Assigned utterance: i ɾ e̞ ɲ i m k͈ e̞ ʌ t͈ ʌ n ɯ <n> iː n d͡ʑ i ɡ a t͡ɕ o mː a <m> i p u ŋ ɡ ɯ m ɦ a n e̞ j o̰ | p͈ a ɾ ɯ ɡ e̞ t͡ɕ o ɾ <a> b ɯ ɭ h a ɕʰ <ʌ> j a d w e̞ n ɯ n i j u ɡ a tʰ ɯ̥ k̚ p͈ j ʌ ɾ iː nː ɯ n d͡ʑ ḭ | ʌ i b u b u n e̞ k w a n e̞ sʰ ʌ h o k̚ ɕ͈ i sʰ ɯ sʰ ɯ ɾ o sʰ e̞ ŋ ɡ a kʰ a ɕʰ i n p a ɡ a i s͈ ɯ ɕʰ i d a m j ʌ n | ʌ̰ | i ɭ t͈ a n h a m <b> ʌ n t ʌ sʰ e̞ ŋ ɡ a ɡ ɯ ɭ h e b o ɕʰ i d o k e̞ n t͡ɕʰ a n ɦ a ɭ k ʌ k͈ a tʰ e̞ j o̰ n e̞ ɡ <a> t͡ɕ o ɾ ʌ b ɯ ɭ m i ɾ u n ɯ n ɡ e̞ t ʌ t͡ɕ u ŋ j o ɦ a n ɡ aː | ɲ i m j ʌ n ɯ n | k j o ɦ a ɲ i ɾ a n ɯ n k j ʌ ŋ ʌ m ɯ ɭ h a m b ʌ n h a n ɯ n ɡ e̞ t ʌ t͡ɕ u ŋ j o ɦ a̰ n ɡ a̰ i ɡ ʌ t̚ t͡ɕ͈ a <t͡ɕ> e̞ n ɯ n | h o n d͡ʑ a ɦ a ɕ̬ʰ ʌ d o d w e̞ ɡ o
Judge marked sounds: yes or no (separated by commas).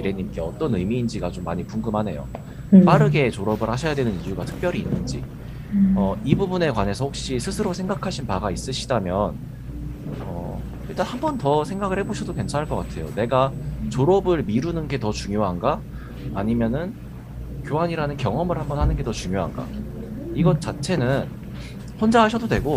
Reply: no, no, no, yes, yes, yes, no